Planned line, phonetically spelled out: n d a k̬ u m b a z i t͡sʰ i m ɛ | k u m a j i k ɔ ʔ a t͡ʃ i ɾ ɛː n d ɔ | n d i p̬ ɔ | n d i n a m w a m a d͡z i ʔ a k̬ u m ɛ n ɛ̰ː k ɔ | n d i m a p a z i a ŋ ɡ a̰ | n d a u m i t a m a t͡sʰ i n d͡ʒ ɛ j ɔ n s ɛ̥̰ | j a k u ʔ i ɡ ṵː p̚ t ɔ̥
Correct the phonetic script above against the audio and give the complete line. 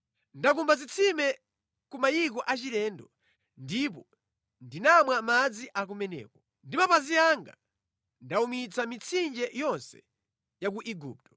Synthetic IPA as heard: n d a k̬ u m b a z i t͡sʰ i m ɛ | k u m a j i k ɔ ʔ a t͡ʃ i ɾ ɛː n d ɔ | n d i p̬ ɔ | n d i n a m w a m a d͡z i ʔ a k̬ u m ɛ n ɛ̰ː k ɔ | n d i m a p a z i a ŋ ɡ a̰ | n d a u m i t͡s a m i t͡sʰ i n d͡ʒ ɛ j ɔ n s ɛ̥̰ | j a k u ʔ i ɡ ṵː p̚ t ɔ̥